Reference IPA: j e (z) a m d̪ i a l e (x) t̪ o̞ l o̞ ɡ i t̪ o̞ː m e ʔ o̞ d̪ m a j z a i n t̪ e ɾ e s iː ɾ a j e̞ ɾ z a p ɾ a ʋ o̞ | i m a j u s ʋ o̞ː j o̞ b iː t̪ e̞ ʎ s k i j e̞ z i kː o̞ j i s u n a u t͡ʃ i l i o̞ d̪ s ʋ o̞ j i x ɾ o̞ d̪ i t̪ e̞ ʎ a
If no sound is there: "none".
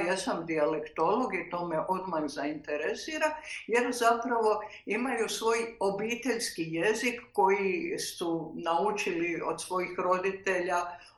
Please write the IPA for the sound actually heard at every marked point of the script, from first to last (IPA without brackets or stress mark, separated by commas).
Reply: s, k